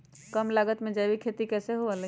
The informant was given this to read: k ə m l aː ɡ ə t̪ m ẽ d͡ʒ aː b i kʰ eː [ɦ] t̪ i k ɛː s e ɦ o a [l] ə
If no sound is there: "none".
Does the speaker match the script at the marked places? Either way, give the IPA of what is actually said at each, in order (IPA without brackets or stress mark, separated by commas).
none, l